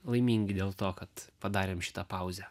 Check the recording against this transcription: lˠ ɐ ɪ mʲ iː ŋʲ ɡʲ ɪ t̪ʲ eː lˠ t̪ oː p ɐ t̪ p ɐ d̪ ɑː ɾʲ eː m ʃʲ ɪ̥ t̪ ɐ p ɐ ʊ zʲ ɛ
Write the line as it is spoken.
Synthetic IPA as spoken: lˠ ɐ ɪ mʲ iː ŋʲ ɡʲ ɪ d̪ʲ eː lˠ t̪ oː k ɐ t̪ p ɐ d̪ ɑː ɾʲ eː m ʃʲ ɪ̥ t̪ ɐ p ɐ ʊ zʲ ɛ